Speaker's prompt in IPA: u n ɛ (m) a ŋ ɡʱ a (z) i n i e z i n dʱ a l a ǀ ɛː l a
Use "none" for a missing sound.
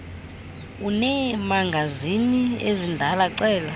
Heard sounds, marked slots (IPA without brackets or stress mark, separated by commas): m, z